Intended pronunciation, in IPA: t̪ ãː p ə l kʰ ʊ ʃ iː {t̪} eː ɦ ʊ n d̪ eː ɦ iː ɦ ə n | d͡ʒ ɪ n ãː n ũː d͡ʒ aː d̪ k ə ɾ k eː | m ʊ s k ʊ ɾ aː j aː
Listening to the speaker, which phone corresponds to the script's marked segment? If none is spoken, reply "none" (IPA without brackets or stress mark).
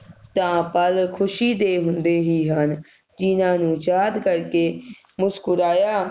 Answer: d̪